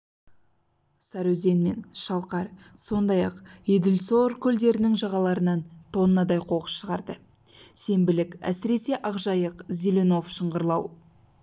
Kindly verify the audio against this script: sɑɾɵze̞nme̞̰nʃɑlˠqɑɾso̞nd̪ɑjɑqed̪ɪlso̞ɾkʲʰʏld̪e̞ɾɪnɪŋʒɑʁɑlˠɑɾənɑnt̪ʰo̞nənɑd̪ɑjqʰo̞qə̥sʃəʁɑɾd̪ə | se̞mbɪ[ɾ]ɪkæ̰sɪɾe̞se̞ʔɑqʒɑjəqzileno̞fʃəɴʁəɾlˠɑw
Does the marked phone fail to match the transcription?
yes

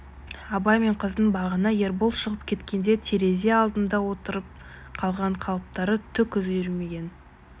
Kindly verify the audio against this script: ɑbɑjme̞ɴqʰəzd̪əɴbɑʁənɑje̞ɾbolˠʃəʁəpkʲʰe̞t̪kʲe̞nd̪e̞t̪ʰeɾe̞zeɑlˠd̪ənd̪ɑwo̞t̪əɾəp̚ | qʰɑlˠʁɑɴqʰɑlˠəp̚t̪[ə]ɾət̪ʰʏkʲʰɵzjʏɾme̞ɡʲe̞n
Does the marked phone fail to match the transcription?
yes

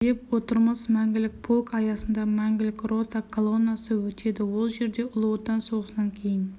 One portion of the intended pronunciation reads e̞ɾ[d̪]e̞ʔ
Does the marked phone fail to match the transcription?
no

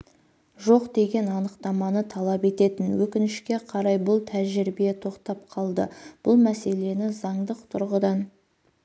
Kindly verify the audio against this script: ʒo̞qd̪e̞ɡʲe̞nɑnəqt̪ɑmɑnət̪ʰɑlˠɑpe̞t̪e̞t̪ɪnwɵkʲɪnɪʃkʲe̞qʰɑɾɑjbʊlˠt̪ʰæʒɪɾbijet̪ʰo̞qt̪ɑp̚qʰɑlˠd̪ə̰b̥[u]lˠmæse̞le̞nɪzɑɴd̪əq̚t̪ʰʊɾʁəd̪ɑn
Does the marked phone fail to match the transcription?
yes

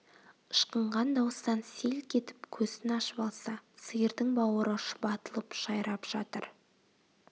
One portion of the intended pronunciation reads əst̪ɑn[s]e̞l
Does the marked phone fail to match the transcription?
no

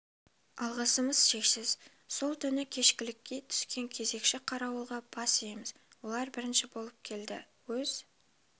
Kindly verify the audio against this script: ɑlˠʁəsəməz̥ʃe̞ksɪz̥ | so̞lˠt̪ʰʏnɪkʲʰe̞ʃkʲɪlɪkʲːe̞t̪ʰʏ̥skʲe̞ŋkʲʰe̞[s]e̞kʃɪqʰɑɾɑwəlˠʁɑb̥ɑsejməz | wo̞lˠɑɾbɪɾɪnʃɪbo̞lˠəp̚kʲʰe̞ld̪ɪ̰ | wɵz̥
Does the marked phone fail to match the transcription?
yes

